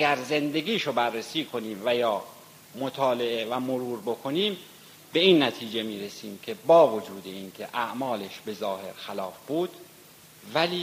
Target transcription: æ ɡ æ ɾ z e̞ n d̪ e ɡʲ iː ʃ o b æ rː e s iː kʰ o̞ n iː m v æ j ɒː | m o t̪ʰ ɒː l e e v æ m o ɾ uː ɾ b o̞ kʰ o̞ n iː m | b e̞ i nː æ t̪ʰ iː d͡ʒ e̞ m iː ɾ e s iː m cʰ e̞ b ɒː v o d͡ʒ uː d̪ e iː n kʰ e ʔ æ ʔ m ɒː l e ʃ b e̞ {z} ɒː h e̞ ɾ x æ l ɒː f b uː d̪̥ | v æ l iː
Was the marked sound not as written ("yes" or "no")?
no